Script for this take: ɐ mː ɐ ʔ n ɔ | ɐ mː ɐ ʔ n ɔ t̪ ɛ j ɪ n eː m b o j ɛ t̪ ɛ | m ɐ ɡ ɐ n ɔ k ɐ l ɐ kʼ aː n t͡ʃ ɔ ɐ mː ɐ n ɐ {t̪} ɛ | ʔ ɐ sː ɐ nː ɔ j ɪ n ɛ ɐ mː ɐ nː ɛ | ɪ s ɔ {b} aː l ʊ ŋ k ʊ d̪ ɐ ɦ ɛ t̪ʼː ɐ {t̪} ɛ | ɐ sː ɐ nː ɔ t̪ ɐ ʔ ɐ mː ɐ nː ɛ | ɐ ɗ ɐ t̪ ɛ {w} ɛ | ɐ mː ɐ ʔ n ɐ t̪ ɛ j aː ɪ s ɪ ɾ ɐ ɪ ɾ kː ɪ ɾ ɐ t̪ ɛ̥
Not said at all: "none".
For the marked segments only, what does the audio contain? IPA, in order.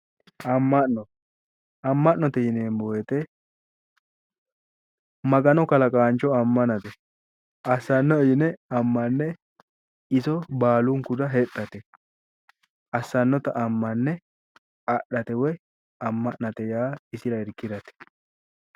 t̪, b, t̪, w

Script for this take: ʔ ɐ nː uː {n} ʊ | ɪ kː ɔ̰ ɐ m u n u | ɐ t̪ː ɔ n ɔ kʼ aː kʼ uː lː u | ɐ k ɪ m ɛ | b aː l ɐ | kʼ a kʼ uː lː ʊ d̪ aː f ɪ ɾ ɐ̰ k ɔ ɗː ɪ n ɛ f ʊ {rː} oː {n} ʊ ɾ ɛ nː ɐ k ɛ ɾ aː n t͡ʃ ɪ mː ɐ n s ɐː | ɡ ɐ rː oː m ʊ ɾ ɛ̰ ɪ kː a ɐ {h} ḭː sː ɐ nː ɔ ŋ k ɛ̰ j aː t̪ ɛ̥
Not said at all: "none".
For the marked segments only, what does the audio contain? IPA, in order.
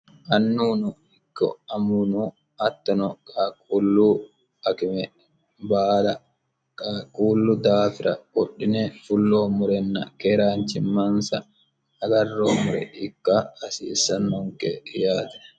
n, lː, m, s

